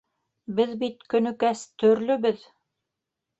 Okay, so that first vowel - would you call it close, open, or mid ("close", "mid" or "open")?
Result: mid